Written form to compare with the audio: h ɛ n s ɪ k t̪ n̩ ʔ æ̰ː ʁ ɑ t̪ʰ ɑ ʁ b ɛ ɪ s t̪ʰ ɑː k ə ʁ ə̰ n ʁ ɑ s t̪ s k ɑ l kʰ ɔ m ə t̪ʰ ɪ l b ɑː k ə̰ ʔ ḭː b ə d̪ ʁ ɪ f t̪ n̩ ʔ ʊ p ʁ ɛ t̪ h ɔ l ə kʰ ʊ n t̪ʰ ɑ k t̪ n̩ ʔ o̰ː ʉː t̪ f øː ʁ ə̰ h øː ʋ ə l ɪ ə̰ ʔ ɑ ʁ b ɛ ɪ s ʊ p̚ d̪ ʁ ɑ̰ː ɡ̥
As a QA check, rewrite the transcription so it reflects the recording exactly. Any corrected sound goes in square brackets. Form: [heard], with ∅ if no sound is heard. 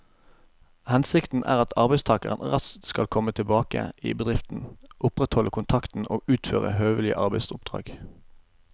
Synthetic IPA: h ɛ n s ɪ k t̪ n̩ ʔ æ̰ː ʁ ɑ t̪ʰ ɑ ʁ b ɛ ɪ s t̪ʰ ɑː k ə ʁ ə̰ n ʁ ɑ s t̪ s k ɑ l kʰ ɔ m ə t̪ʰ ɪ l b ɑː k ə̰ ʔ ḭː b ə d̪ ʁ ɪ f t̪ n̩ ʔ ʊ p ʁ ɛ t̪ h ɔ l ə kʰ ʊ n t̪ʰ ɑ k t̪ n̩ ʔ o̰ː ʉː t̪ f øː ʁ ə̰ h øː ʋ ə l ɪ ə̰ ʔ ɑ ʁ b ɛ ɪ s ʊ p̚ d̪ ʁ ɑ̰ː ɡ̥